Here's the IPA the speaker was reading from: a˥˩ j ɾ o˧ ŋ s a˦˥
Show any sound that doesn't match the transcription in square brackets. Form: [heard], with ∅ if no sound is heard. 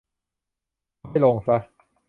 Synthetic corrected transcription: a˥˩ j [l] o˧ ŋ s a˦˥